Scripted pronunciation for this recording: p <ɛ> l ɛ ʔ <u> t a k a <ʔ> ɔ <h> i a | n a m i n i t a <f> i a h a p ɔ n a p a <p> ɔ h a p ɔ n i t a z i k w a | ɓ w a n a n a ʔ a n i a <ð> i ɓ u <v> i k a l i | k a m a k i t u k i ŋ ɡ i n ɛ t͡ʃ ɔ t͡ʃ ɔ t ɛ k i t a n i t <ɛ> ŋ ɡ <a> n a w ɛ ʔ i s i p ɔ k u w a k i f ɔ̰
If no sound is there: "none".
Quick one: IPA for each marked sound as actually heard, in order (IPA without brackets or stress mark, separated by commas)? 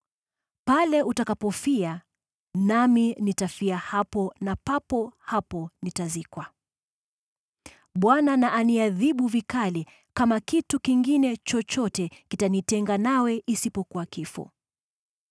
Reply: a, u, p, f, f, p, ð, v, ɛ, a